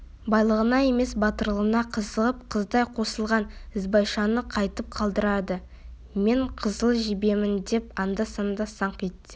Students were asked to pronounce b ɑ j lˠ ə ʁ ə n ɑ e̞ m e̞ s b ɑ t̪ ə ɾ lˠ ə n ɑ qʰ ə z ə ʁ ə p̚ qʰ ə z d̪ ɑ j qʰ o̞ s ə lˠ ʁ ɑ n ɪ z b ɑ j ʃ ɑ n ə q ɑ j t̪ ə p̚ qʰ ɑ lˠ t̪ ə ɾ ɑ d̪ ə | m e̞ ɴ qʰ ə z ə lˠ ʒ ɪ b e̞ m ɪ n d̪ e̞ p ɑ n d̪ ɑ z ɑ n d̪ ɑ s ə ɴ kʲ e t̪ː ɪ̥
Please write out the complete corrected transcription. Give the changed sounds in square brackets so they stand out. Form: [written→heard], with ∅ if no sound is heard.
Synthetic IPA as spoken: b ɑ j lˠ ə ʁ ə n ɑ e̞ m e̞ s b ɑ t̪ ə ɾ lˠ ə n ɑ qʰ ə z ə ʁ ə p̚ qʰ ə z d̪ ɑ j qʰ o̞ s ə lˠ ʁ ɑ n ɪ z b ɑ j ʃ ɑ n ə [q→qʰ] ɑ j t̪ ə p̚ qʰ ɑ lˠ [t̪→d̪] ə ɾ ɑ d̪ ə | m e̞ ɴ qʰ ə z ə lˠ ʒ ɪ b e̞ m ɪ n d̪ e̞ p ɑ n d̪ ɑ [z→s] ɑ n d̪ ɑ s [ə→ɑ] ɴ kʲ e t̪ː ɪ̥